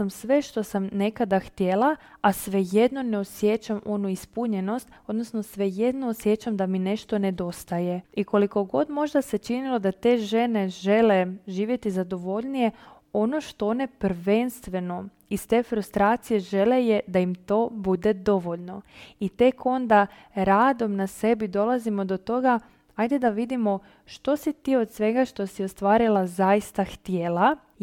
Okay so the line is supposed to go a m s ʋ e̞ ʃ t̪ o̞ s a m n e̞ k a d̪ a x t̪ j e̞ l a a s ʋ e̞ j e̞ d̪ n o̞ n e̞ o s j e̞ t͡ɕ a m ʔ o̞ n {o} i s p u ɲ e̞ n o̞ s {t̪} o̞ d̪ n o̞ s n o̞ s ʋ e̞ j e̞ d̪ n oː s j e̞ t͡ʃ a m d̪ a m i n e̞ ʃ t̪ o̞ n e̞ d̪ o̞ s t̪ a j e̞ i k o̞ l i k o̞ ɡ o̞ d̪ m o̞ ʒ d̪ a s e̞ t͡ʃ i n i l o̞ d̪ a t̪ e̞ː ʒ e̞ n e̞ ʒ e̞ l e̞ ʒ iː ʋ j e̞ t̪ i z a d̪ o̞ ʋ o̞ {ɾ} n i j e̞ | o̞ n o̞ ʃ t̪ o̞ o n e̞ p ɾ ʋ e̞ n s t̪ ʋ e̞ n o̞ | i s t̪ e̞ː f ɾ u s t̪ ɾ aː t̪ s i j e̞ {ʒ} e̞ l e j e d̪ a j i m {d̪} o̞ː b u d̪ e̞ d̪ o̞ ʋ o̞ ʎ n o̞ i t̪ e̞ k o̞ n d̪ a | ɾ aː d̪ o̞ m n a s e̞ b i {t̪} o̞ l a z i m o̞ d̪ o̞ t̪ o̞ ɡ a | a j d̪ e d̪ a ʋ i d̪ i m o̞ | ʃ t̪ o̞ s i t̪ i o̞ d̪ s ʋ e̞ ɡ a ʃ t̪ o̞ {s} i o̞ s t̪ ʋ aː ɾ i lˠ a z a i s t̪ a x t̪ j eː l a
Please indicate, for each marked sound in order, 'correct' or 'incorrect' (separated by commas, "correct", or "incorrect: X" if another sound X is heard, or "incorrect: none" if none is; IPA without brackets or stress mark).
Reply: incorrect: u, correct, incorrect: ʎ, correct, incorrect: t̪, incorrect: d̪, correct